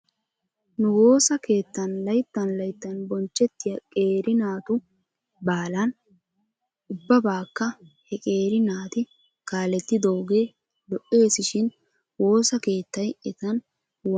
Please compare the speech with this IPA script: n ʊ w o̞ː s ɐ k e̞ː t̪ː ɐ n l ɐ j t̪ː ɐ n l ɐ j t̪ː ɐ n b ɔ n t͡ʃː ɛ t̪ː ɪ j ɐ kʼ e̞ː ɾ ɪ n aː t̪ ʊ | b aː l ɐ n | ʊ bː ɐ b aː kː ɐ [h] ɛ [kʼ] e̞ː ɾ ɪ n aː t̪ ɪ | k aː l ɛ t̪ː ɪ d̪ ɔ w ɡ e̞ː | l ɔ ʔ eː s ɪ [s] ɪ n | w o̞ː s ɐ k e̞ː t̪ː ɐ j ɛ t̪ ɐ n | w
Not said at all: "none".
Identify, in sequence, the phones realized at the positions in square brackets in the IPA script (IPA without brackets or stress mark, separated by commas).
h, kʼ, ʃ